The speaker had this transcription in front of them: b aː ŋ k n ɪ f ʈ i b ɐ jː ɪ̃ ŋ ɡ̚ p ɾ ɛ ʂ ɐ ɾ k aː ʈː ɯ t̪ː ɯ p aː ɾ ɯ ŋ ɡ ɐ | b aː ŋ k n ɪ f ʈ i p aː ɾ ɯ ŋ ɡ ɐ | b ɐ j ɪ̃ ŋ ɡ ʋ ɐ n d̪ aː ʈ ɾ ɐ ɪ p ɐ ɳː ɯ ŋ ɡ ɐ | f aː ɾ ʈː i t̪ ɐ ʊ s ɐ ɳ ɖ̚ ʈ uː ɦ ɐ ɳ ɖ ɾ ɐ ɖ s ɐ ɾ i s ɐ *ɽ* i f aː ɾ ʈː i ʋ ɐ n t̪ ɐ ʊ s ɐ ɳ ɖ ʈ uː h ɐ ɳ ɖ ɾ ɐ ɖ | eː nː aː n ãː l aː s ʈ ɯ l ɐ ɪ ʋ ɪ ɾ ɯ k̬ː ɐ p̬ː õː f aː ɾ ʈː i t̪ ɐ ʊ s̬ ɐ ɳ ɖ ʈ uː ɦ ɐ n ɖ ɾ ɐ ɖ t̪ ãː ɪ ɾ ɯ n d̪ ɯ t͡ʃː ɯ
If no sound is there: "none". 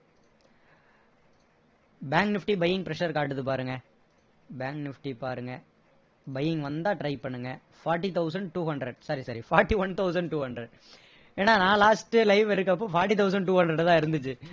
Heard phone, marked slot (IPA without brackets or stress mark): ɾ